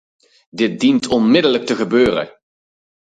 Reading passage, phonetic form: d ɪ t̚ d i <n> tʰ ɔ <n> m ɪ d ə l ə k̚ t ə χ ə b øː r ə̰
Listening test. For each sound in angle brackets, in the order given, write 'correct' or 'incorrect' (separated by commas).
correct, correct